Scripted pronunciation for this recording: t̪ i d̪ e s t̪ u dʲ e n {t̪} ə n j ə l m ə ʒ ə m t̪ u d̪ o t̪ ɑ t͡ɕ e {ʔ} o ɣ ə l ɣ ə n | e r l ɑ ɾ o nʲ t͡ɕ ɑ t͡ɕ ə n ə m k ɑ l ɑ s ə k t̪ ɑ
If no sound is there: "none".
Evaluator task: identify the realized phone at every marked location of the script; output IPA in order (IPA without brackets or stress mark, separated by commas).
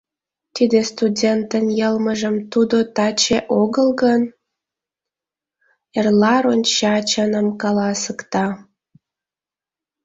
t̪, ʔ